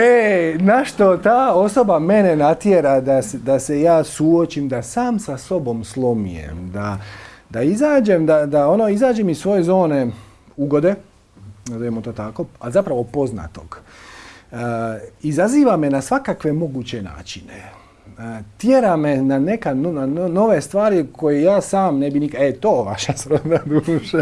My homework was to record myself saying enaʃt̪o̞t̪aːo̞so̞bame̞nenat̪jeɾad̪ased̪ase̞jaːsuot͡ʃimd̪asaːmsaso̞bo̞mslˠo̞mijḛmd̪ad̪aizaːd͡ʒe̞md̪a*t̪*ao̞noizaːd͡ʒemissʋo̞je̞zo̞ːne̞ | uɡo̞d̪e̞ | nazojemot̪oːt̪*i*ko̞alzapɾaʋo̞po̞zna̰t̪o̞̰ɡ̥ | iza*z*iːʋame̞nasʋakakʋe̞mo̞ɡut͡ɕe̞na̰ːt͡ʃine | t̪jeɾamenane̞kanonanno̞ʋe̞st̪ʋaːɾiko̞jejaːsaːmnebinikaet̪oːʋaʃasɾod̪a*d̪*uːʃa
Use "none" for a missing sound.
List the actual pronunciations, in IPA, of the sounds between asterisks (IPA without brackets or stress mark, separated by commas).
d̪, a, z, d̪